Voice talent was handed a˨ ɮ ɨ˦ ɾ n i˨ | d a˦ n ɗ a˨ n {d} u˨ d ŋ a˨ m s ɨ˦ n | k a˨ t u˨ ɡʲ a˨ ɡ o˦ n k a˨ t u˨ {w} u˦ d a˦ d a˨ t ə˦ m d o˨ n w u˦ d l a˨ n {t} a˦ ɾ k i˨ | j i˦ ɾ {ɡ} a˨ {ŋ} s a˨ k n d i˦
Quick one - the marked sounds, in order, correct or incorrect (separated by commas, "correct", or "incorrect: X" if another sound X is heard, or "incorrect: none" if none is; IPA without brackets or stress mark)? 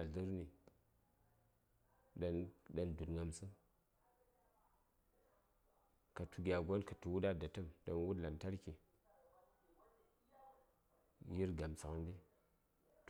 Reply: correct, correct, correct, correct, incorrect: m